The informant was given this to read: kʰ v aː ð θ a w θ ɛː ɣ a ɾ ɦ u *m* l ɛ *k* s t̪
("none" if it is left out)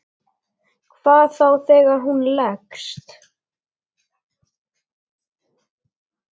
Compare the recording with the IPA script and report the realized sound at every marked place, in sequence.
n, k

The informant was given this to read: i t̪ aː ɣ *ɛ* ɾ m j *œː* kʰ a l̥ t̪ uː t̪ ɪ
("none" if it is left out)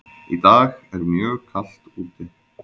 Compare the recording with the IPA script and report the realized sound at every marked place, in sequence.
ɛ, œː

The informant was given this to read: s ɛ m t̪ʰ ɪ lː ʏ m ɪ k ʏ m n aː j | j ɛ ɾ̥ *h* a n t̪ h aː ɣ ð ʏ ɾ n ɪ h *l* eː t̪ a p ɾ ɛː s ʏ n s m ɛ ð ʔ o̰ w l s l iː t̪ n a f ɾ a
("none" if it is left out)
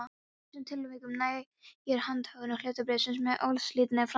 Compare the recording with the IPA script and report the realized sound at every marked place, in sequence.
h, l

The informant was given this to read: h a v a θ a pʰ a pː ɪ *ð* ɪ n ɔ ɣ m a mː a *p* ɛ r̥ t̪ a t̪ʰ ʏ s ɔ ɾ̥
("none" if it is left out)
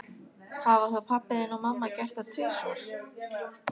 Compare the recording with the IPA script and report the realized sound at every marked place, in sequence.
ð, c

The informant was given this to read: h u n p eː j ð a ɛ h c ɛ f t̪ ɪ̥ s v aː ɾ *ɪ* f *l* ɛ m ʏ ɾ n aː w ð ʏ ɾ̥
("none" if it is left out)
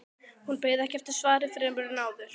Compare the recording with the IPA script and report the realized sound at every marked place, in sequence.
ɪ, ɾ

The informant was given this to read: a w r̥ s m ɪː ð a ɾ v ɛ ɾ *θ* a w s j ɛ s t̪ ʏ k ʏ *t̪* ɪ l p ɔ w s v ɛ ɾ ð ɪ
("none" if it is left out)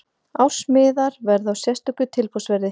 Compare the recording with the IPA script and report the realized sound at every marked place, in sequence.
ð, t̪ʰ

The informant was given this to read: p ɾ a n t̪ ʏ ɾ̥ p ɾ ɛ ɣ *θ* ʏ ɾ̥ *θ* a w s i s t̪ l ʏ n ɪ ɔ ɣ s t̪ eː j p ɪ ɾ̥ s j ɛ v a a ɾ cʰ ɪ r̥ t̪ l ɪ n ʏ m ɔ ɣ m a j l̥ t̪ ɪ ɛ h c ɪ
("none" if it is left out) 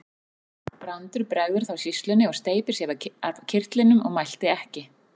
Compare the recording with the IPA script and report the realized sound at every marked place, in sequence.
ð, θ

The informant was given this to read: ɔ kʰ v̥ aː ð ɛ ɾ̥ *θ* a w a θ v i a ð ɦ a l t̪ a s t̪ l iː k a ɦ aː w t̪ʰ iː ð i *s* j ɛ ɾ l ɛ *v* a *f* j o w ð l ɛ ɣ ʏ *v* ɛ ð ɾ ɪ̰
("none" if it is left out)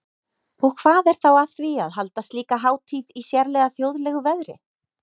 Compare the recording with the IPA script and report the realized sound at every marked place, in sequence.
θ, s, ɣ, θ, v

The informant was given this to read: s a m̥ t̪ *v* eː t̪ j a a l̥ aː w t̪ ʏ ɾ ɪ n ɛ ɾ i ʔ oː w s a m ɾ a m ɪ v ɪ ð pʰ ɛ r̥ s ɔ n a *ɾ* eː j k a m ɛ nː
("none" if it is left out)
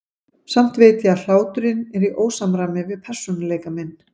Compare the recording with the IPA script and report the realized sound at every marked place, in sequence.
v, l

